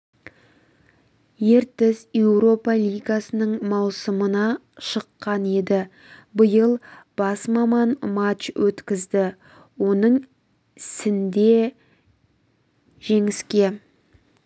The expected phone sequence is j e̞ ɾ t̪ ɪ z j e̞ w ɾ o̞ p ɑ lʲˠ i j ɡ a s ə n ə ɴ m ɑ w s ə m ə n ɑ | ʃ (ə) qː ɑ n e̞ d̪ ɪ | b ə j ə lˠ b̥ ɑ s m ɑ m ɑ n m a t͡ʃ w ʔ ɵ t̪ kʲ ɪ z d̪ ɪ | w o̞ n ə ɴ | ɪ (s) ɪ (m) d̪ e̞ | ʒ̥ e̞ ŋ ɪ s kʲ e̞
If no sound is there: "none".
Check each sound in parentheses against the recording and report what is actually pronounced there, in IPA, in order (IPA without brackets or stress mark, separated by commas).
ə, s, n